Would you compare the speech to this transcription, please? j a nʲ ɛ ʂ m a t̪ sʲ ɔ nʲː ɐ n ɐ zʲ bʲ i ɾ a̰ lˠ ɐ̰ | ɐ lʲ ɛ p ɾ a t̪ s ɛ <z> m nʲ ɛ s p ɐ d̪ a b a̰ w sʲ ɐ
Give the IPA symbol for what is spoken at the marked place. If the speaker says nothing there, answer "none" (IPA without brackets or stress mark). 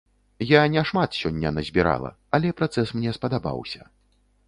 s